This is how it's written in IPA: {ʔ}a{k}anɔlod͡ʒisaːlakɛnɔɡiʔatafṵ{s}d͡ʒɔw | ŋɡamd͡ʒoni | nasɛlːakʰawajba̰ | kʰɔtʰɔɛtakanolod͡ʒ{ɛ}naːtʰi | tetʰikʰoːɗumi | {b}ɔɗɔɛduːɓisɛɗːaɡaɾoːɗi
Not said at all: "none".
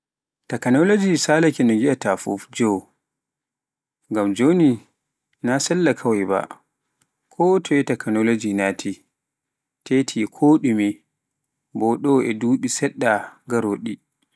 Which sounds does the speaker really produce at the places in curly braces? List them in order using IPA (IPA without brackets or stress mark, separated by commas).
t, k, f, i, b